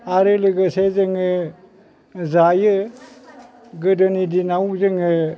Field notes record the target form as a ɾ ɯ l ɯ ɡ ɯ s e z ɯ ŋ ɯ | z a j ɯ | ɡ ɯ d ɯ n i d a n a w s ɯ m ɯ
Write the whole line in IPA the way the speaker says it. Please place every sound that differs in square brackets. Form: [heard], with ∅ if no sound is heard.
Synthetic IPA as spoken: a ɾ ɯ l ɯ ɡ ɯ s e z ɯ ŋ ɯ | z a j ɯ | ɡ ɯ d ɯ n i d [i] n a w [z] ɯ [ŋ] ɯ